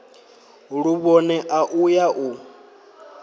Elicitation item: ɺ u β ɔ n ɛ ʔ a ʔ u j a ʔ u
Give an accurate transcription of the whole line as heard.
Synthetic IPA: ɺ u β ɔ n ɛ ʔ a ʔ u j a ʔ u